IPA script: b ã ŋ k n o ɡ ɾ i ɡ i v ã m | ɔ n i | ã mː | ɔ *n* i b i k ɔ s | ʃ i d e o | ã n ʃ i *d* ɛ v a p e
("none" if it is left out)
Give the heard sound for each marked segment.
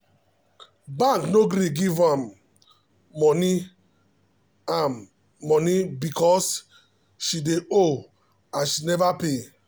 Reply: n, n

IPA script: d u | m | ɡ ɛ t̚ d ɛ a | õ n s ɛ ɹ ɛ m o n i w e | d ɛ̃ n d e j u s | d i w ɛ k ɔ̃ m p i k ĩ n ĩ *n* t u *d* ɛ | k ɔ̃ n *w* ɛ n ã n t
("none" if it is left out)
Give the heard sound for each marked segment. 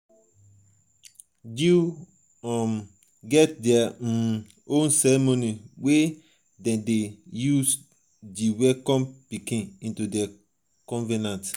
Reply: n, d, v

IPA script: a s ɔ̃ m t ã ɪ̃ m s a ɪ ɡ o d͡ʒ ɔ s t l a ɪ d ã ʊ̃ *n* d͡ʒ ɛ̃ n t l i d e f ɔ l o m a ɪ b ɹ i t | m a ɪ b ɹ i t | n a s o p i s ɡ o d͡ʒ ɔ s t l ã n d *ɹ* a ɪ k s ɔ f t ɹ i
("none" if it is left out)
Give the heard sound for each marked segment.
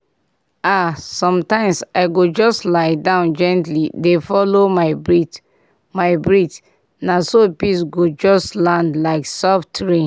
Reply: n, l

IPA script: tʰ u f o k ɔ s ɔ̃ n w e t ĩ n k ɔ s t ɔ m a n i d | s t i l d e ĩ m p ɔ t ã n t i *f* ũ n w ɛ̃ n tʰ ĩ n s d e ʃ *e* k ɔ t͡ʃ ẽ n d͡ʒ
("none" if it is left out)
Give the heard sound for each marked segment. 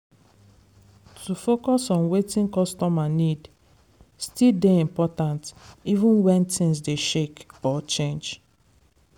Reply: v, e

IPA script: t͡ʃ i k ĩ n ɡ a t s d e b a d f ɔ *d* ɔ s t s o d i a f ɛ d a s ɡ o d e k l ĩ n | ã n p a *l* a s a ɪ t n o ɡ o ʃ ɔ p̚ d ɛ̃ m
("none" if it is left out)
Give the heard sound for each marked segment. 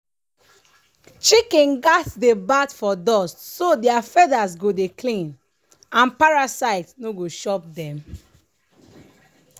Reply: d, ɹ

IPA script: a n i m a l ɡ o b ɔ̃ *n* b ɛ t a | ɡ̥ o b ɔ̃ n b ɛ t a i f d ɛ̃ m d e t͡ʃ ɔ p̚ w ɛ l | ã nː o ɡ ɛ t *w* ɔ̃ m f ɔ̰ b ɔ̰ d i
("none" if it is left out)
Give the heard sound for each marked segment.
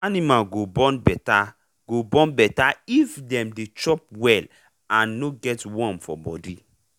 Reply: n, w

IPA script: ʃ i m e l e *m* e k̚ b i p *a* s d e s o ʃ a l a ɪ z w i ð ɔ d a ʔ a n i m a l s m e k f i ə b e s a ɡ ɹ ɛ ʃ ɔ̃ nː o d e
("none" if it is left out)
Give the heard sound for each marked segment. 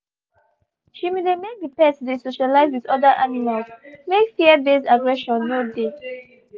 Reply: m, ɛ

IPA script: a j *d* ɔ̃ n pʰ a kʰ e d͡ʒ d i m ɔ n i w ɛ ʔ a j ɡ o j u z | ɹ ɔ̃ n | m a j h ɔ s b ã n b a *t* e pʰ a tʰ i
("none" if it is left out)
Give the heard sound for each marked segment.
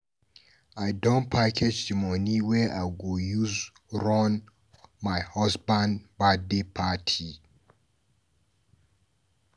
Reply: d, d

